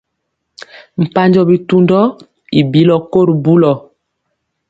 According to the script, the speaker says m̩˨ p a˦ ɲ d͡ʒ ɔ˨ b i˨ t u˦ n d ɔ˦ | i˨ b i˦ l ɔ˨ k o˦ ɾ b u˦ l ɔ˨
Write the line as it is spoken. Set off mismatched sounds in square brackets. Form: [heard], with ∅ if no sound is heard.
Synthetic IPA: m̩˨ p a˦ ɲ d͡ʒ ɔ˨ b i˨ t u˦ n d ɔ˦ | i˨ b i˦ l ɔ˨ k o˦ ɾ b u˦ l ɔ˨